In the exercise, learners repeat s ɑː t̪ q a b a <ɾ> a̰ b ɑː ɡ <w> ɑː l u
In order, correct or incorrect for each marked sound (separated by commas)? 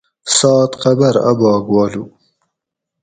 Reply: correct, correct